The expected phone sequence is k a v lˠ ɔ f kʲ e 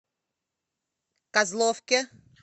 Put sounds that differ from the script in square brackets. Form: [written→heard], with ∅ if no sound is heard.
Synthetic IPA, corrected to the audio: k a [v→z] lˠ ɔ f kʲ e

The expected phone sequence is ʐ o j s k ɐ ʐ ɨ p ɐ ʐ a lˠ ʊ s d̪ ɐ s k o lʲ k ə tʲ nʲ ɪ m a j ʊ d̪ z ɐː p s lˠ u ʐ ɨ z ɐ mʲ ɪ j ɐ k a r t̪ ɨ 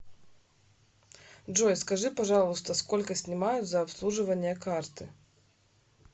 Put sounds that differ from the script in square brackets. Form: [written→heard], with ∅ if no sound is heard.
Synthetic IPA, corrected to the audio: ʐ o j s k ɐ ʐ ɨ p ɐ ʐ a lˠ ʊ s [d̪→t̪] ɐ s k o lʲ k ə [tʲ→sʲ] nʲ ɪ m a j ʊ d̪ z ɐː p s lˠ u ʐ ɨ [z→v] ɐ [mʲ→nʲ] ɪ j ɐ k a r t̪ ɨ

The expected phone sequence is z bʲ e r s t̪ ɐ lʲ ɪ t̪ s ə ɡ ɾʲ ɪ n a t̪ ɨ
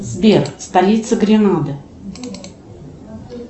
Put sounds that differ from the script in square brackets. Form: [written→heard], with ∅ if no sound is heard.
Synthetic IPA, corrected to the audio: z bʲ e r s t̪ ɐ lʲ [ɪ→i] t̪ s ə ɡ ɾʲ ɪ n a [t̪→d̪] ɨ

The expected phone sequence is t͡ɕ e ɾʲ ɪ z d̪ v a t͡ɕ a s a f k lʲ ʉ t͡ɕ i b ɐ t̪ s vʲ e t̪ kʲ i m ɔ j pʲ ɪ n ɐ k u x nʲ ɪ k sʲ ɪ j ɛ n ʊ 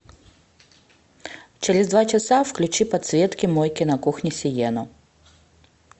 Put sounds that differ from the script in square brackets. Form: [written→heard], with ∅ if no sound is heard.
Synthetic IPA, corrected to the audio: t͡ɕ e ɾʲ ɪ z d̪ v a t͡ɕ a s a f k lʲ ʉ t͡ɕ i [b→p] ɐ t̪ s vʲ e t̪ kʲ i m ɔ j [pʲ→kʲ] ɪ n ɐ k u x nʲ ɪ [k→∅] sʲ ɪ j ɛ n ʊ

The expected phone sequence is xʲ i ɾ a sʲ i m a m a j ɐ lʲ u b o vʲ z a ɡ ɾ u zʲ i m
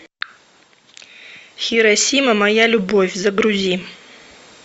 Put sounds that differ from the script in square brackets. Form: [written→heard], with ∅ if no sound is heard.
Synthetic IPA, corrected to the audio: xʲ i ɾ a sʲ i m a m a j [ɐ→a] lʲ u b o vʲ z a ɡ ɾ u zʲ i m

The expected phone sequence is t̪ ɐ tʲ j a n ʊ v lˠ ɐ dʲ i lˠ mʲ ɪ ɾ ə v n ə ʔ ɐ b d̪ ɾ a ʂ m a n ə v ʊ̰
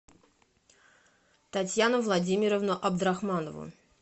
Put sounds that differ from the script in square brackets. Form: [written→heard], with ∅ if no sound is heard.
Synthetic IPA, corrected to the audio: t̪ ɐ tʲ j a n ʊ v lˠ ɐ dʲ i [lˠ→∅] mʲ ɪ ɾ ə v n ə ʔ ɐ b d̪ ɾ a [ʂ→x] m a n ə v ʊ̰

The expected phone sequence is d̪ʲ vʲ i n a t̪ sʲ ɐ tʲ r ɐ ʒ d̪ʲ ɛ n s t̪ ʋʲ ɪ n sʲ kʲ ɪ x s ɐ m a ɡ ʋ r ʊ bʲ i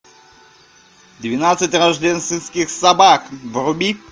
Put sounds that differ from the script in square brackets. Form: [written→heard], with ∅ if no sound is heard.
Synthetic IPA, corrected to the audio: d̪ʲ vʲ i n a t̪ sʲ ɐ tʲ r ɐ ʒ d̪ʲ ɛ n s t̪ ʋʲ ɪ n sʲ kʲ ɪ x s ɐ [m→b] a [ɡ→k] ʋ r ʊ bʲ i

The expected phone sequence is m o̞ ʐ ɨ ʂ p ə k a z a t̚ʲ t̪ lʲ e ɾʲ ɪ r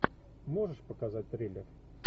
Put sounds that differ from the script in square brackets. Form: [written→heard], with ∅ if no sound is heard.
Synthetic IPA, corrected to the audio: m o̞ ʐ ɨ ʂ p ə k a z a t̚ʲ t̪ [lʲ→ɾʲ] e [ɾʲ→lʲ] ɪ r

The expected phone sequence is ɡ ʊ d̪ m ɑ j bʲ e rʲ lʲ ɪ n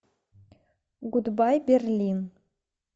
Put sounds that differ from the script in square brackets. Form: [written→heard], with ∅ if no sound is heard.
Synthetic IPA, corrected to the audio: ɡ [ʊ→u] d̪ [m→b] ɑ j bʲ e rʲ lʲ [ɪ→i] n

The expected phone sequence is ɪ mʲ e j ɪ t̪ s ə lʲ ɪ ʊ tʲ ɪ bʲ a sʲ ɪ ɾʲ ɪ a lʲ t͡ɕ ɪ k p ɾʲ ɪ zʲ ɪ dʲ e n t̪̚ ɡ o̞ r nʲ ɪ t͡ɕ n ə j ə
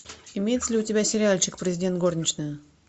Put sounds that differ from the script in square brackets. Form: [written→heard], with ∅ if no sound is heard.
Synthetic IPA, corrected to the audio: ɪ mʲ e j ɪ t̪ s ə lʲ ɪ ʊ tʲ ɪ bʲ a sʲ ɪ ɾʲ ɪ a lʲ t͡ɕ ɪ k p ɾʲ ɪ zʲ ɪ dʲ e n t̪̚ ɡ o̞ r nʲ ɪ t͡ɕ n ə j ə

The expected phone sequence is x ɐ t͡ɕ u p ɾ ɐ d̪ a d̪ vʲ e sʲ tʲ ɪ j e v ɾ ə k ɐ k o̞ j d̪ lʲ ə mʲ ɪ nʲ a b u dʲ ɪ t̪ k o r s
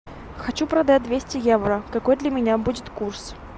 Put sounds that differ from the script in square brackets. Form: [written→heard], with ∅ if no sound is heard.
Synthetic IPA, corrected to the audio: x ɐ t͡ɕ u p ɾ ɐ d̪ a d̪ vʲ e sʲ tʲ ɪ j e v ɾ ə k ɐ k o̞ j d̪ lʲ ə mʲ ɪ nʲ a b u dʲ ɪ t̪ k [o→u] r s

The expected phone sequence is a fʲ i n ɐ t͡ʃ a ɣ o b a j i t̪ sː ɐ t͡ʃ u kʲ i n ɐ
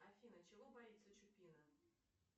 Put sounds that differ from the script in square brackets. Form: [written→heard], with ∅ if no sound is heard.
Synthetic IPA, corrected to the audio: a fʲ i n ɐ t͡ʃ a ɣ [o→ɔ] b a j i t̪ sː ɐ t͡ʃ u [kʲ→pʲ] i n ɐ

